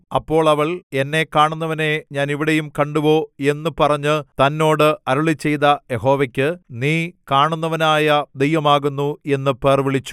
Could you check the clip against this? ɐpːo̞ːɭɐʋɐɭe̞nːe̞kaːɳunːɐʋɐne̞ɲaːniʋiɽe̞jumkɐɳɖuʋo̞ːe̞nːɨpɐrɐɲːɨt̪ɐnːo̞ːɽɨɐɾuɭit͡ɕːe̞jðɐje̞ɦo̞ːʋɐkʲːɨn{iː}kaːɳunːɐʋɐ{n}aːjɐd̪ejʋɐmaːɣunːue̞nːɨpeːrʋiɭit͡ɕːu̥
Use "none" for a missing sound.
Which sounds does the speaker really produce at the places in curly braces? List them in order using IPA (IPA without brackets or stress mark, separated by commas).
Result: iː, n